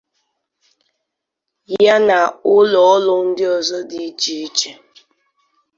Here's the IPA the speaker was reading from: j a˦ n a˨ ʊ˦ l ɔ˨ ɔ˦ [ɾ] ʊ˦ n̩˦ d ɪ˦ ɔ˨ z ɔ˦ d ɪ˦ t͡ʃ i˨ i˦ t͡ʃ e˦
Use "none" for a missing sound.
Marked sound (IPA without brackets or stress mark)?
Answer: l